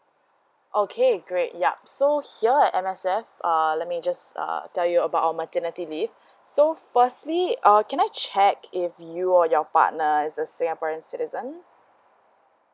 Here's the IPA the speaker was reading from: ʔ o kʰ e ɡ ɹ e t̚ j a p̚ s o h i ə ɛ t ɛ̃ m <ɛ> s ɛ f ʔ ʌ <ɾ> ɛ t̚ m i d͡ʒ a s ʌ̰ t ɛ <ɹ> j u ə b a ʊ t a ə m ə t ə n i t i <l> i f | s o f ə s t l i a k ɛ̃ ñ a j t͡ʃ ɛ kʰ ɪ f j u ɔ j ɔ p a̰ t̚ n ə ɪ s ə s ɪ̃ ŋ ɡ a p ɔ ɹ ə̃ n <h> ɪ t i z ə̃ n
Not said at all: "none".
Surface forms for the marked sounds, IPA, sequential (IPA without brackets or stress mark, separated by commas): ɛ, l, l, l, s